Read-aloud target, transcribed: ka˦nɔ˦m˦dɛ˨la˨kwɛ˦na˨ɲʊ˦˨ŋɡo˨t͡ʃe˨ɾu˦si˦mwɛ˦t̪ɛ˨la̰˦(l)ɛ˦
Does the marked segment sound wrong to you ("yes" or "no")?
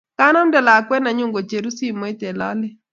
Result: no